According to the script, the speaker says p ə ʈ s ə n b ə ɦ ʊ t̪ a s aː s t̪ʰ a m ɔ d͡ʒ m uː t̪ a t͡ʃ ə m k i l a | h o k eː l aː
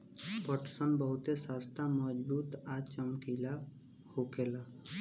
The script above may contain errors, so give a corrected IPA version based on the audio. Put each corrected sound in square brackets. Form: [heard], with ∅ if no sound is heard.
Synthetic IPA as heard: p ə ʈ s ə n b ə ɦ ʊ t̪ [e] s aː s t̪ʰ a m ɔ d͡ʒ [b] uː t̪ a t͡ʃ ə m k i l a | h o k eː l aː